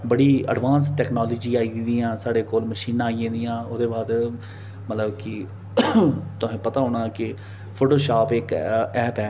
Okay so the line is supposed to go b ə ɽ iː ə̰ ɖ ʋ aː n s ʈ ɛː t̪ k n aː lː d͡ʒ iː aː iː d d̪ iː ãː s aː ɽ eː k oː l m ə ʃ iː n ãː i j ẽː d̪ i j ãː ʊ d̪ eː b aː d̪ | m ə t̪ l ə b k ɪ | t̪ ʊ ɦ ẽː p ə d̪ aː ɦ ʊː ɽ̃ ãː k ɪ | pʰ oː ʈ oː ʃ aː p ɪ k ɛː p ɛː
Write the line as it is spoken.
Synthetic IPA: b ə ɽ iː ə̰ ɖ ʋ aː n s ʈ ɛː k n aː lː d͡ʒ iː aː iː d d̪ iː ãː s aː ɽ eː k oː l m ə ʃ iː n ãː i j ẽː d̪ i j ãː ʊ d̪ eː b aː d̪ | m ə t̪ l ə b k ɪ | t̪ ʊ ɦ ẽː p ə t̪ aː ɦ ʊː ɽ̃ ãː k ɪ | pʰ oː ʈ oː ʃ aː p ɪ k ɛː p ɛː